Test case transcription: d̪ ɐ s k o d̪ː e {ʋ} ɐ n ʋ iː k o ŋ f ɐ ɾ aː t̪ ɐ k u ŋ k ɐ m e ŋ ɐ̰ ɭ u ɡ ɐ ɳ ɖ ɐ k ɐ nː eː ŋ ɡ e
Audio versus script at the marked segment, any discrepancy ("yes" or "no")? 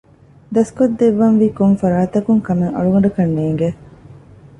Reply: yes